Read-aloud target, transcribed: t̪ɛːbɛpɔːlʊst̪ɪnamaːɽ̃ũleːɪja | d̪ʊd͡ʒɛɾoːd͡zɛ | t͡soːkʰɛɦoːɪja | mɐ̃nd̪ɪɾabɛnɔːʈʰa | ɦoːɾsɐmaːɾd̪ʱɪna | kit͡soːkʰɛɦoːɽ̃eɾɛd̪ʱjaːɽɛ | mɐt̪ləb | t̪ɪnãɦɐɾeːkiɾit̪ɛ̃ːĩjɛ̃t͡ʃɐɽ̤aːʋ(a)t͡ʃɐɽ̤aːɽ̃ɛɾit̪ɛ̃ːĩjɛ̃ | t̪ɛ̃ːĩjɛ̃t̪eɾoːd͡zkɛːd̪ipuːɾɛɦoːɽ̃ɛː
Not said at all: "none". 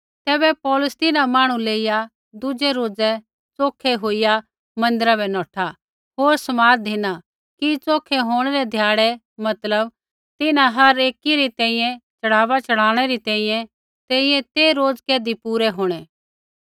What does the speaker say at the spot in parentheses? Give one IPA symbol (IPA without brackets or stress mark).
a